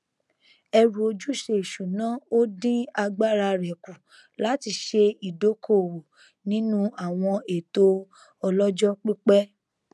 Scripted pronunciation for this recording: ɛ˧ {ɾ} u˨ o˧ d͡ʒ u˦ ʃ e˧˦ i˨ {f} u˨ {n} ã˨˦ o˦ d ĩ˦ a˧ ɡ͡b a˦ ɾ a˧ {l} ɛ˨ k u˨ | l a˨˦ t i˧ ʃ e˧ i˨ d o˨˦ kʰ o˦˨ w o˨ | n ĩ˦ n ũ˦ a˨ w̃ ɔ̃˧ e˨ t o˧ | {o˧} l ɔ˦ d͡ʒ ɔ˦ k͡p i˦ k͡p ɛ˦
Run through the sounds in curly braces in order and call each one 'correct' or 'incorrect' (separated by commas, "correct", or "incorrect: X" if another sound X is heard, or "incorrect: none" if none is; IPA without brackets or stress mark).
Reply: correct, incorrect: ʃ, correct, incorrect: ɾ, incorrect: ɔ˧